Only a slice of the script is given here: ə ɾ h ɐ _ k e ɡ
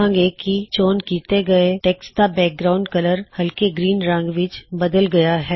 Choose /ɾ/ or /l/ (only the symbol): l